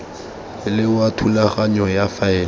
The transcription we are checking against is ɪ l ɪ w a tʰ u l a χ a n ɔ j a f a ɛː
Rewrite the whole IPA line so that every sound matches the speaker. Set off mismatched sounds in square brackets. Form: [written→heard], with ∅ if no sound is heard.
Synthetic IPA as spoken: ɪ l ɪ w a tʰ u l a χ a [n→ɲ] ɔ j a f a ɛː